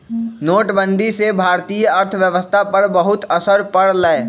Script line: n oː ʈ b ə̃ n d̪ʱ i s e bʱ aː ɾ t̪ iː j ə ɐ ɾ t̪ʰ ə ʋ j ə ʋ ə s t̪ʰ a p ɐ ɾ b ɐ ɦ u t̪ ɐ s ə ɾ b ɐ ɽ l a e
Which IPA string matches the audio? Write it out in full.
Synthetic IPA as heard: n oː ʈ b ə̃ n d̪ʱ i s e bʱ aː ɾ t̪ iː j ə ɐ ɾ t̪ʰ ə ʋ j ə ʋ ə s t̪ʰ a p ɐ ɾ b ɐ ɦ ʊ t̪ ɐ s ə ɾ p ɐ ɽ l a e